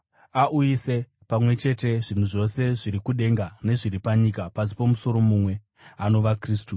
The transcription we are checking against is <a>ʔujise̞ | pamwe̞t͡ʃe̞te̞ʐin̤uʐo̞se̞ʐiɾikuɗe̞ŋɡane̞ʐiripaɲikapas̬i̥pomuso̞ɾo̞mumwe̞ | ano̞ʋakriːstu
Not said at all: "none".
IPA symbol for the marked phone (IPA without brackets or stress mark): a